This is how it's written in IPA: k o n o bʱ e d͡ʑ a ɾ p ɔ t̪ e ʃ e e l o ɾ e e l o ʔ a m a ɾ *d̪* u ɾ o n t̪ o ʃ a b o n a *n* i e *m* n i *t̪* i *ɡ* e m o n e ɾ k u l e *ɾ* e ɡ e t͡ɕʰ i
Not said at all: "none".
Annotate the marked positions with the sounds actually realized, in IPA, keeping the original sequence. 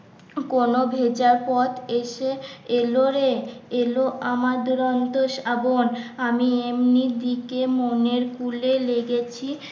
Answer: d̪, m, m, d̪, k, l

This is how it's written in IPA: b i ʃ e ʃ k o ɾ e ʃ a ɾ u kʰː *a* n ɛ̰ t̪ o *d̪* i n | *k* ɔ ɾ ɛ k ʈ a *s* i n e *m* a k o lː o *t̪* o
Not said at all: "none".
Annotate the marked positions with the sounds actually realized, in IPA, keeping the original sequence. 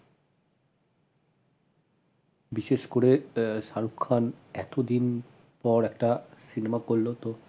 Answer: a, d̪, p, s, m, t̪

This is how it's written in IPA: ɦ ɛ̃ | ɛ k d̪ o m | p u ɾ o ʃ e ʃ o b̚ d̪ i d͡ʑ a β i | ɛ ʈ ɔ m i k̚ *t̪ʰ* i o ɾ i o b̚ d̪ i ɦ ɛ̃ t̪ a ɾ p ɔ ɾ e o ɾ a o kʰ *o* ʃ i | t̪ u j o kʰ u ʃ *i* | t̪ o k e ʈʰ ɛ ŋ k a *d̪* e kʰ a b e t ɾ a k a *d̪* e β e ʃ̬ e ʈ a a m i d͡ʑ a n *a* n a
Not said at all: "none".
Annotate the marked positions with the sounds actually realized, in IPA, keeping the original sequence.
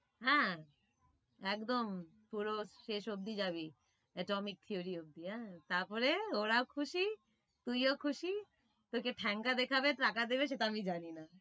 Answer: t̪ʰ, u, i, d̪, d̪, i

